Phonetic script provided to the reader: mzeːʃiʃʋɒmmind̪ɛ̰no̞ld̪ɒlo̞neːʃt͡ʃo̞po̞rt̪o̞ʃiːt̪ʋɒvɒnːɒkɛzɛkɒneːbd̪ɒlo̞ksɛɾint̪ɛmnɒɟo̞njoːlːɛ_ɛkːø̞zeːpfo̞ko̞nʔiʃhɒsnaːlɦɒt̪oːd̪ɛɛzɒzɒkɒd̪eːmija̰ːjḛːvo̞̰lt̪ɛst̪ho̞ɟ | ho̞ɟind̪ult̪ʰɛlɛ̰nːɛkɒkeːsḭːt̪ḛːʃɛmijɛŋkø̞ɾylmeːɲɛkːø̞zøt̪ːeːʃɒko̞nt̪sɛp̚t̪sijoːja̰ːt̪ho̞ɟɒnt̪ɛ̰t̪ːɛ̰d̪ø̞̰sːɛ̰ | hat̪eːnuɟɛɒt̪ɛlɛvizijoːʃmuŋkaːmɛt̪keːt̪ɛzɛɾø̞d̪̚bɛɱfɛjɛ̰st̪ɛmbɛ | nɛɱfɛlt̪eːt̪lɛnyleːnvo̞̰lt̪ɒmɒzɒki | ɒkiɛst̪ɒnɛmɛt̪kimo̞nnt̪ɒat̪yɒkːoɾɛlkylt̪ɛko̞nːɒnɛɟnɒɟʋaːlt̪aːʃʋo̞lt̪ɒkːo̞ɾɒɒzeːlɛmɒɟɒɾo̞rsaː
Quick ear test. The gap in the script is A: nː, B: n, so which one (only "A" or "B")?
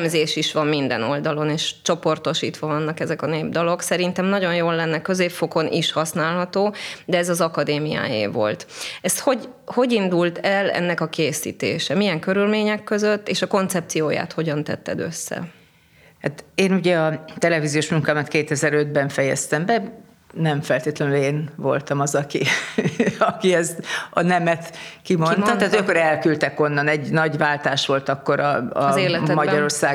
A